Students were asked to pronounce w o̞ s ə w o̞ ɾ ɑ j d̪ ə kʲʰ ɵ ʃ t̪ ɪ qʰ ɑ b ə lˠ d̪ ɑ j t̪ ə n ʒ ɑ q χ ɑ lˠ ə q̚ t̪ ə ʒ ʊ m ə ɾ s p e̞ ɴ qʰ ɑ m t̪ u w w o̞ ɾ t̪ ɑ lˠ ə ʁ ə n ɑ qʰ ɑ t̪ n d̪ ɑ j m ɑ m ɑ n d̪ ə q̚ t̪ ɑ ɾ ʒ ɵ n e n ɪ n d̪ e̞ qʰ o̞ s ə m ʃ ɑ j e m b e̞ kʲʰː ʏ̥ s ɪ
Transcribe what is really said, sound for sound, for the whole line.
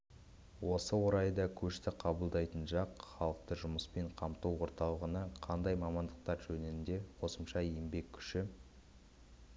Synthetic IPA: w o̞ s ə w o̞ ɾ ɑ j d̪ ɑ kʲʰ ɵ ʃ t̪ ɪ qʰ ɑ b ə lˠ d̪ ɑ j t̪ ə n ʒ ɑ q χ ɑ lˠ ə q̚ t̪ ə ʒ ʊ m ə s p e̞ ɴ qʰ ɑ m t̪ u w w o̞ ɾ t̪ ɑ lˠ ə ʁ ə n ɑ qʰ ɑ n d̪ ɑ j m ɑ m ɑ n d̪ ə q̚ t̪ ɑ ɾ ʒ ɵ n e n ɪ n d̪ e̞ qʰ o̞ s ə m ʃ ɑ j e m b e̞ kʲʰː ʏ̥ ʃ ɪ

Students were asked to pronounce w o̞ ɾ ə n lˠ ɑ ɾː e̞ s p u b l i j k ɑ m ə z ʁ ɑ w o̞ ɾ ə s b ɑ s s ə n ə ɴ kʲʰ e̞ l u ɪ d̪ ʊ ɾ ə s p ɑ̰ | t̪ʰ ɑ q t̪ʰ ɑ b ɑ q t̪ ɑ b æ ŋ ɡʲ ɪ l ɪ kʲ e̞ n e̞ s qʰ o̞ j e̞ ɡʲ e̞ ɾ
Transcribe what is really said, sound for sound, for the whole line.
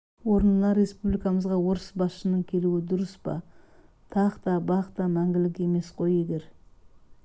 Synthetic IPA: w o̞ ɾ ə n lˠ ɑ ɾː e̞ s p u b l i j k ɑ m ə z ʁ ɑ w o̞ ɾ ə s b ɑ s ʃ ə n ə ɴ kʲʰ e̞ l u ɪ d̪ ʊ ɾ ə s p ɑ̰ | t̪ʰ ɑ q t̪ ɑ b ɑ q t̪ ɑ m æ ŋ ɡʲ ɪ l ɪ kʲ e̞ m e̞ s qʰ o̞ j e̞ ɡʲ e̞ ɾ

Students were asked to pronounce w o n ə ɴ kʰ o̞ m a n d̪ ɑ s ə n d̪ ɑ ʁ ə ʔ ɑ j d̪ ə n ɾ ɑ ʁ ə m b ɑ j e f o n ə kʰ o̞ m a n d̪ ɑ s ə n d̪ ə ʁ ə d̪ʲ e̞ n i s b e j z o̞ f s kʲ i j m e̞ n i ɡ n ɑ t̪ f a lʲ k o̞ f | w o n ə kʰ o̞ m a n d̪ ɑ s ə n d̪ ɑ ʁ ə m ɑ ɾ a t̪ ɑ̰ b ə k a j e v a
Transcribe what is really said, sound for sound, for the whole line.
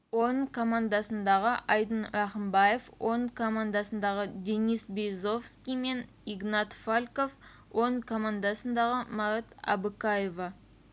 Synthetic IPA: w o n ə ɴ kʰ o̞ m a n d̪ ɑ s ə n d̪ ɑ ʁ ə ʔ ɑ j d̪ ə n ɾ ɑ χ ə m b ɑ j e f o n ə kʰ o̞ m a n d̪ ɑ s ə n d̪ ɑ ʁ ə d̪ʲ e̞ n i s b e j z o̞ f s kʲ i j m e̞ n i ɡ n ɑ t̪ f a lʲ k o̞ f | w o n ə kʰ o̞ m a n d̪ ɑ s ə n d̪ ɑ ʁ ə m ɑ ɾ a t̪ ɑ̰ b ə k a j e v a

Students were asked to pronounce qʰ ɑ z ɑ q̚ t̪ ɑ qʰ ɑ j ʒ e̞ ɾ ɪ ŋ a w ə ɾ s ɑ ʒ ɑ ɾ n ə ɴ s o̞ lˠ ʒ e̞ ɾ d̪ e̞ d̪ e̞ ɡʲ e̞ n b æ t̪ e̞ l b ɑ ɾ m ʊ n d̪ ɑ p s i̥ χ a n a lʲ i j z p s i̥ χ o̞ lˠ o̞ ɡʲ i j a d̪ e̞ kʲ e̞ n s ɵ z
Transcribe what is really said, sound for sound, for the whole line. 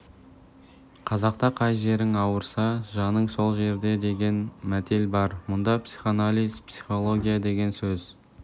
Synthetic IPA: qʰ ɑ z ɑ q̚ t̪ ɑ qʰ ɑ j ʒ e̞ ɾ ɪ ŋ ɑ w ə ɾ s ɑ ʒ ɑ n ə ɴ s o̞ lˠ ʒ e̞ ɾ d̪ e̞ d̪ e̞ ɡʲ e̞ n m æ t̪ e̞ l b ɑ ɾ m ʊ n d̪ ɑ p s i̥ χ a n a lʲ i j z p s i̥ χ o̞ lˠ o̞ ɡʲ i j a d̪ e̞ ɡʲ e̞ n s ɵ z

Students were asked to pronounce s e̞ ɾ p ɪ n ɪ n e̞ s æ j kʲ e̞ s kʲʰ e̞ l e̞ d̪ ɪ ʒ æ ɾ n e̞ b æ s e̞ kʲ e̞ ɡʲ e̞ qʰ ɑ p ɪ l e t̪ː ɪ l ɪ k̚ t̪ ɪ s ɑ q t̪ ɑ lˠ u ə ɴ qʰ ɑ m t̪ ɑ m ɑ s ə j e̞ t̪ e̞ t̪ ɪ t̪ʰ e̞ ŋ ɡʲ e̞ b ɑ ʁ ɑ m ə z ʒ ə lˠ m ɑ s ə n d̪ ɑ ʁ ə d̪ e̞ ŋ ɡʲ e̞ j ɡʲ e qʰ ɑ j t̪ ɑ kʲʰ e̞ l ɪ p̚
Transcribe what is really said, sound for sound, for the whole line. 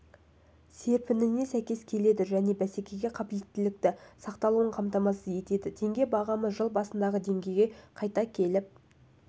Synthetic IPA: s e̞ ɾ p ɪ n ɪ n e̞ s æ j kʲ e̞ s kʲʰ e̞ l e̞ d̪ ɪ ʒ æ n e̞ b æ s e̞ kʲ e̞ ɡʲ e̞ qʰ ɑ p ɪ l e t̪ː ɪ l ɪ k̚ t̪ ɪ s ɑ q t̪ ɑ lˠ u ə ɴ qʰ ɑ m t̪ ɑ m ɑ s ə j e̞ t̪ e̞ d̪ ɪ t̪ʰ e̞ ŋ ɡʲ e̞ b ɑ ʁ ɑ m ə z ʒ ə lˠ b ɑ s ə n d̪ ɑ ʁ ə d̪ e̞ ŋ ɡʲ e̞ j ɡʲ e qʰ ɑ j t̪ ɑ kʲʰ e̞ l ɪ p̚

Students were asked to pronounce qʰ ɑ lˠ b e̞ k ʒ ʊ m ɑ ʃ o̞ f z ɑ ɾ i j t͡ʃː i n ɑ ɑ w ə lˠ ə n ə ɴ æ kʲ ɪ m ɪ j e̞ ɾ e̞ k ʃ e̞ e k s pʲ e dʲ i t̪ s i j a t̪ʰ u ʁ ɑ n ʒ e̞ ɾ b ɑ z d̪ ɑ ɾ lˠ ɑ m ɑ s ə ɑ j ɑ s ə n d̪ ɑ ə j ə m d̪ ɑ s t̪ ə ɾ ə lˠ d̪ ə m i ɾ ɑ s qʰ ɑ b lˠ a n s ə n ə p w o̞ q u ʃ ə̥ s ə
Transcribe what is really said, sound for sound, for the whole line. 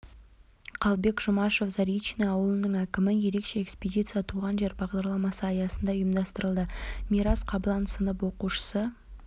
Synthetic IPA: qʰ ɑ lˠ b e̞ k ʒ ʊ m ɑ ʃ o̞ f z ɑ ɾ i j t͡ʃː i n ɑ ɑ w ə lˠ ə n ə ɴ æ kʲ ɪ m ɪ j e̞ ɾ e̞ k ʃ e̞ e k s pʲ e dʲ i t̪ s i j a t̪ʰ u ʁ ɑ n ʒ e̞ ɾ b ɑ ʁ d̪ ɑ ɾ lˠ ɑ m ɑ s ə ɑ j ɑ s ə n d̪ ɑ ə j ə m d̪ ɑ s t̪ ə ɾ ə lˠ d̪ ə m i ɾ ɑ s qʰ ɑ b lˠ ɑ n s ə n ə p w o̞ q u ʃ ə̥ s ə

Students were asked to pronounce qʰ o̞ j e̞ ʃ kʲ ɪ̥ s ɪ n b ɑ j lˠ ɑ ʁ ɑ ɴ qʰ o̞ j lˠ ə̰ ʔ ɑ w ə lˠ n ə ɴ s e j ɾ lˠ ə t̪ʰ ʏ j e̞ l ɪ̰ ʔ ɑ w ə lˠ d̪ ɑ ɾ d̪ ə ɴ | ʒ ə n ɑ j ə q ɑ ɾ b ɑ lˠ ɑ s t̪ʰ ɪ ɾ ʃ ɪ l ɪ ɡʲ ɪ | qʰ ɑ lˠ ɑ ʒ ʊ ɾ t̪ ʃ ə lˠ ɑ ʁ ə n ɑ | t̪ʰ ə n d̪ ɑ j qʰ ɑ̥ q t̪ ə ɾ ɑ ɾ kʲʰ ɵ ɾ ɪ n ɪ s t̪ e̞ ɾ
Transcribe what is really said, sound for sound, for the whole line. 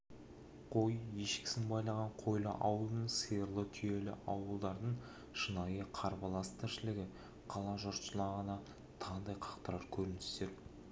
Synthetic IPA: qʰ o̞ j e̞ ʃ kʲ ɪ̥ s ɪ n b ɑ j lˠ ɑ ʁ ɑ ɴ qʰ o̞ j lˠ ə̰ ʔ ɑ w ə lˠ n ə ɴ s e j ɾ lˠ ə t̪ʰ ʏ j e̞ l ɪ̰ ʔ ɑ w ə lˠ d̪ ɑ ɾ d̪ ə ɴ | ʃ ə n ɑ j ə qʰ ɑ ɾ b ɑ lˠ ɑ s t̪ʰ ɪ ɾ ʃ ɪ l ɪ ɡʲ ɪ | qʰ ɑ lˠ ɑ ʒ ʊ ɾ t̪ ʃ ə lˠ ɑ ʁ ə n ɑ | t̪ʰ ɑ n d̪ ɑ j qʰ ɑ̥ q t̪ ə ɾ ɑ ɾ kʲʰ ɵ ɾ ɪ n ɪ s t̪ e̞ ɾ

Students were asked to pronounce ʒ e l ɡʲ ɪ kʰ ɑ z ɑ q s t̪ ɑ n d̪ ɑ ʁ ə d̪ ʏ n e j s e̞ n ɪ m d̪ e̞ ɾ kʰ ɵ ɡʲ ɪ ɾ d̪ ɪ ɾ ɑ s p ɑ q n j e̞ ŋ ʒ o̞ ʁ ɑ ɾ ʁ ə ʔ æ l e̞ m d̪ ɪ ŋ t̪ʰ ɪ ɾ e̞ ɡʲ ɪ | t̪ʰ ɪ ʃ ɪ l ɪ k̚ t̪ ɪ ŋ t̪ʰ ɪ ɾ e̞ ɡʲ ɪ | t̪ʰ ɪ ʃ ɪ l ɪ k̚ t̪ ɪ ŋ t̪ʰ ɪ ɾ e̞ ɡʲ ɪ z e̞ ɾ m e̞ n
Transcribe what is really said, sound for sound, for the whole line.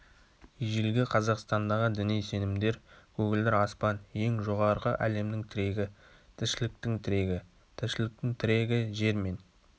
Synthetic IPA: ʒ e l ɡʲ ɪ qʰ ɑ z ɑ q s t̪ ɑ n d̪ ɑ ʁ ə d̪ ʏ n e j s e̞ n ɪ m d̪ e̞ ɾ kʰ ɵ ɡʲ ɪ l d̪ ɪ ɾ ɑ s p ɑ n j e̞ ŋ ʒ o̞ ʁ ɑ ɾ ʁ ə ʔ æ l e̞ m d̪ ɪ ŋ t̪ʰ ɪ ɾ e̞ ɡʲ ɪ | t̪ʰ ɪ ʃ ɪ l ɪ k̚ t̪ ɪ ŋ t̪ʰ ɪ ɾ e̞ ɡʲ ɪ | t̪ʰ ɪ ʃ ɪ l ɪ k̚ t̪ ɪ ŋ t̪ʰ ɪ ɾ e̞ ɡʲ ɪ ʒ e̞ ɾ m e̞ n

